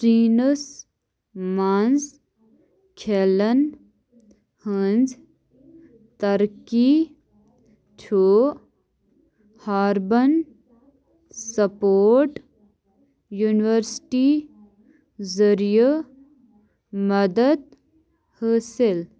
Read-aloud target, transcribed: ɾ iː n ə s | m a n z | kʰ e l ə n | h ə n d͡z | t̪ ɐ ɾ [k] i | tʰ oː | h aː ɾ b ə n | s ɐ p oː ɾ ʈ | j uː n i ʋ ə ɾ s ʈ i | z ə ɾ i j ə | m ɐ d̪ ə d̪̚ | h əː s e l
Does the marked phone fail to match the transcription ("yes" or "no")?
no